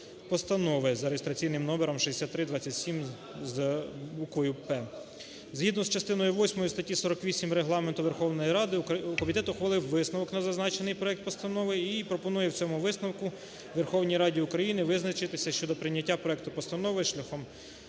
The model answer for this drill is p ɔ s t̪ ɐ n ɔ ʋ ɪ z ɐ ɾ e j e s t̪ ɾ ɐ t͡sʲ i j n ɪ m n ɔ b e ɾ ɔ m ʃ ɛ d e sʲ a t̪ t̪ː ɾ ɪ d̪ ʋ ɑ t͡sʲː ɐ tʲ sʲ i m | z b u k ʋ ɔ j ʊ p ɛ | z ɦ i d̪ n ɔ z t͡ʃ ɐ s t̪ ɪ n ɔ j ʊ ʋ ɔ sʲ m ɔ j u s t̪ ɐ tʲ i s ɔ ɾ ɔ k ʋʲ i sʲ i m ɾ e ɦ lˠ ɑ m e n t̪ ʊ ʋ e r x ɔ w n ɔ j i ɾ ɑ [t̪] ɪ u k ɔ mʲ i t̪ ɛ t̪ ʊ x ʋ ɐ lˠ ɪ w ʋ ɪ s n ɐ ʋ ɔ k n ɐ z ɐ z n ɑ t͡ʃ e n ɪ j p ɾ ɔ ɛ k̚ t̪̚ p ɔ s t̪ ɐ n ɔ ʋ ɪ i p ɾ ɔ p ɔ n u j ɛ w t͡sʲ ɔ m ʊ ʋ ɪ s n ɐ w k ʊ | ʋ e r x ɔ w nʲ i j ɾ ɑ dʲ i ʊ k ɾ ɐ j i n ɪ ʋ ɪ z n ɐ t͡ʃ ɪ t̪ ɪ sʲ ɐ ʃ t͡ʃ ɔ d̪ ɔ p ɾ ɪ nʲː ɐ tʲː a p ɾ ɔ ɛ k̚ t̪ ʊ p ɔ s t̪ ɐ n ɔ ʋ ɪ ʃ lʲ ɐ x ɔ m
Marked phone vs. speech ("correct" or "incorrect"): incorrect